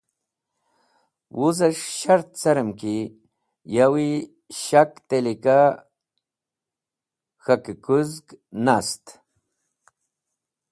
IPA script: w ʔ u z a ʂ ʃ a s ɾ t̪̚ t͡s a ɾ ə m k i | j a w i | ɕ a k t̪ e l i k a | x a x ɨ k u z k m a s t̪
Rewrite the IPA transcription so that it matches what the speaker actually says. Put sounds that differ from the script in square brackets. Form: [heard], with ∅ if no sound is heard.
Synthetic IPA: w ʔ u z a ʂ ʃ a [∅] ɾ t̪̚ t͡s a ɾ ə m k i | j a w i | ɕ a k t̪ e l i k a | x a [k] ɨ k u z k [n] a s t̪